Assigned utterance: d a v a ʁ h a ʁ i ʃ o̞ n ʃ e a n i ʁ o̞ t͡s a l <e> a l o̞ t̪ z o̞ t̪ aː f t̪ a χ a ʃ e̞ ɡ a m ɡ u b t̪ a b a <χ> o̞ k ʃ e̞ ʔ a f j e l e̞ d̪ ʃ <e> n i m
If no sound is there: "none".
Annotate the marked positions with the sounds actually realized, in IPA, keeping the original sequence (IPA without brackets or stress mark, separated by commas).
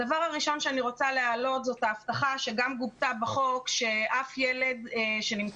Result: e, χ, e